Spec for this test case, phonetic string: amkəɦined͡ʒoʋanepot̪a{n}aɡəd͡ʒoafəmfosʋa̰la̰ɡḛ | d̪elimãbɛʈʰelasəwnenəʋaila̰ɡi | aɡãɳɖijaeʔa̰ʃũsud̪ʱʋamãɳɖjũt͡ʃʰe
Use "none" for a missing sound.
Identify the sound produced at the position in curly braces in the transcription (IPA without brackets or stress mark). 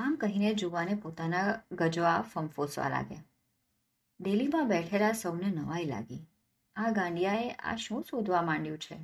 n